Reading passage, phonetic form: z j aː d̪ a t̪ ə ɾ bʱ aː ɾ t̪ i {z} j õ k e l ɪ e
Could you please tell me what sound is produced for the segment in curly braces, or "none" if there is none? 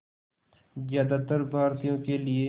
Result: none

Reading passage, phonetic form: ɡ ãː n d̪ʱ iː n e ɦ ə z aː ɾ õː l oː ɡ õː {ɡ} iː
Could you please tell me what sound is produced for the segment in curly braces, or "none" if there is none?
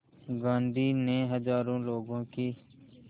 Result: k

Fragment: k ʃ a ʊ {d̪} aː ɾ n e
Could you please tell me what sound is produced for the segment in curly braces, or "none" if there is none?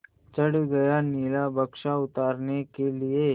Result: t̪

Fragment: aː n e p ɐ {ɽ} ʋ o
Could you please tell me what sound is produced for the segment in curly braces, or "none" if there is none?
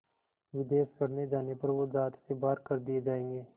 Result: ɾ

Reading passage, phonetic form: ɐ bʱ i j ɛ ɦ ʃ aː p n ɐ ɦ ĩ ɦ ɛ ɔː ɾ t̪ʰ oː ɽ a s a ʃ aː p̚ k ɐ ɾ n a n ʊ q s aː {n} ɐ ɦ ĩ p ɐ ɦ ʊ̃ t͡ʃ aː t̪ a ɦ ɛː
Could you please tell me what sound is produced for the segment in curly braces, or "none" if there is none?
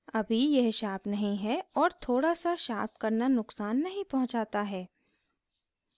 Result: nː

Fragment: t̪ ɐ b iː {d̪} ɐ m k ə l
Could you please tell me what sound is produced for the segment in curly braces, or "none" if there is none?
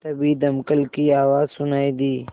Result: d̪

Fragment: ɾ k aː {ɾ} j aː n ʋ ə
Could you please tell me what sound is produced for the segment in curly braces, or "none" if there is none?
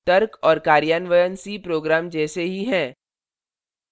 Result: ɾ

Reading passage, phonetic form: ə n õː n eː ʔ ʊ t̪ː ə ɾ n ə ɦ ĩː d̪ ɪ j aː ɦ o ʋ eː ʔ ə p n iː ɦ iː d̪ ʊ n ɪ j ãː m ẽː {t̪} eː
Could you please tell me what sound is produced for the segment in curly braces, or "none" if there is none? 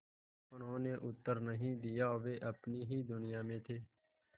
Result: t̪ʰ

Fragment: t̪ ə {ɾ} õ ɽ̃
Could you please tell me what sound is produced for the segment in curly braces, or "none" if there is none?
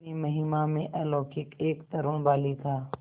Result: ɾ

